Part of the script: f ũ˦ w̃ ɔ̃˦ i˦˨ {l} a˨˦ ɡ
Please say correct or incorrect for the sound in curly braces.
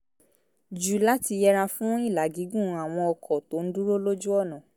correct